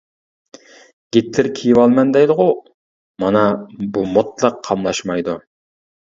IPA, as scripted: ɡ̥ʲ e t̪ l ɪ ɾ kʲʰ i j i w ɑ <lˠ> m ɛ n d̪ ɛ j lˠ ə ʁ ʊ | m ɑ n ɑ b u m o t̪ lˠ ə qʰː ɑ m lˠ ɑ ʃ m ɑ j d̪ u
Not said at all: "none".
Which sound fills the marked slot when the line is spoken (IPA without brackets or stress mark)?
lˠ